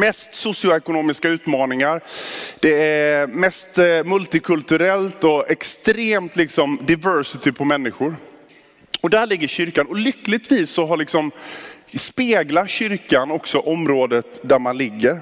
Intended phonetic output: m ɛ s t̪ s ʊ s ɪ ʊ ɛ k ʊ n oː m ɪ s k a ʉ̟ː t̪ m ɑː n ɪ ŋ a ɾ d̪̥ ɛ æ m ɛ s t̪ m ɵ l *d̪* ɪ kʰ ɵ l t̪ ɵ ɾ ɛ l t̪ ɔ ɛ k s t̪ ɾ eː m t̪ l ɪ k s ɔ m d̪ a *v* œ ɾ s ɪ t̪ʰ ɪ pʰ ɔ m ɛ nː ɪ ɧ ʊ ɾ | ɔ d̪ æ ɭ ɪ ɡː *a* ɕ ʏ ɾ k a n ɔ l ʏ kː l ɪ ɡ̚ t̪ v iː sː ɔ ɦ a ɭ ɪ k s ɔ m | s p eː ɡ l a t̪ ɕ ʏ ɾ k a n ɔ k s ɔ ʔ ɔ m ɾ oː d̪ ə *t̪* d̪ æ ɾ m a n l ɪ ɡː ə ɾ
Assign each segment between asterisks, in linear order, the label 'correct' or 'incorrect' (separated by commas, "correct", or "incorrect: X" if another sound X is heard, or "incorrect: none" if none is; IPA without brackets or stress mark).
incorrect: t̪, correct, incorrect: ə, correct